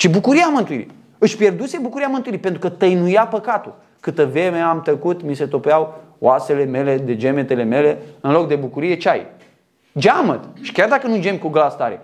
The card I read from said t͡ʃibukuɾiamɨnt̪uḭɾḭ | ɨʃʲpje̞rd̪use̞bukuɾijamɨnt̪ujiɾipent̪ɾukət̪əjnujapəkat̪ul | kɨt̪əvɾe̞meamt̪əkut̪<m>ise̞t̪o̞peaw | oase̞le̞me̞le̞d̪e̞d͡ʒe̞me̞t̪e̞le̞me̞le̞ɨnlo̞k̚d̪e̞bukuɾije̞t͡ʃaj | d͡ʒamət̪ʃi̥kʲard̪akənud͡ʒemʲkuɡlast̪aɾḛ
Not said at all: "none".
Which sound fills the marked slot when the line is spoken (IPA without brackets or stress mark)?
m